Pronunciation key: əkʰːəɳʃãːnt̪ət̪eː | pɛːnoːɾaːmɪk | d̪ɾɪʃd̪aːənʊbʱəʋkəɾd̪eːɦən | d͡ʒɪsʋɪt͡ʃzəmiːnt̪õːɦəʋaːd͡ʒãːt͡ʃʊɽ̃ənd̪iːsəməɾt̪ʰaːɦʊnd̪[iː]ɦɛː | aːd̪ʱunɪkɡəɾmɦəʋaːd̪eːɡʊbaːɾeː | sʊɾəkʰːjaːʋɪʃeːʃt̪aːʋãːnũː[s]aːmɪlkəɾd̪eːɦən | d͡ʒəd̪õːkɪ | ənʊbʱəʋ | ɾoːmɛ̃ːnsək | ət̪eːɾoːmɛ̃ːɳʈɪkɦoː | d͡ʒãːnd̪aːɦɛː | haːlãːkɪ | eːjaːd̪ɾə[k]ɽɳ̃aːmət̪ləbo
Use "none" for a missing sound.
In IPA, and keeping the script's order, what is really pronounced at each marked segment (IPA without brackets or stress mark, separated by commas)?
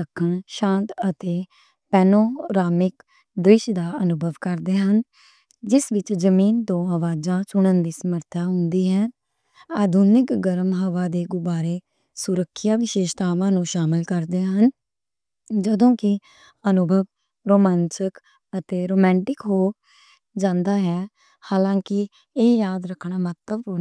iː, ʃ, kʰ